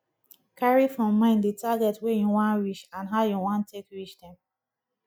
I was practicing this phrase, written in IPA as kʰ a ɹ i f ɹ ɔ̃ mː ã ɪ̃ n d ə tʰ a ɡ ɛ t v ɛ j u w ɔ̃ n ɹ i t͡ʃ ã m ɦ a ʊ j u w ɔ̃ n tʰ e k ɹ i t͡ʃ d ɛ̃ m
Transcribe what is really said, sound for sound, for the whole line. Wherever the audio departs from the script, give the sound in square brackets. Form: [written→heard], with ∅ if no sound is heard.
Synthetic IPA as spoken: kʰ a ɹ i f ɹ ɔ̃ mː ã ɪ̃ n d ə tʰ a ɡ ɛ t [v→w] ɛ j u w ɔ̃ n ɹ i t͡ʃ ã [m→n] ɦ a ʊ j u w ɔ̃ n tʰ e k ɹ i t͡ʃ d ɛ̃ m